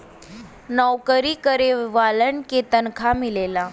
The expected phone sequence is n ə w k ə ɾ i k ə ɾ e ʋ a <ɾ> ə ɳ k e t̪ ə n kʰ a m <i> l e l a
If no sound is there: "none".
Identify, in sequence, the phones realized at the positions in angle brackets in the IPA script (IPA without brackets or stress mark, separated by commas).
l, i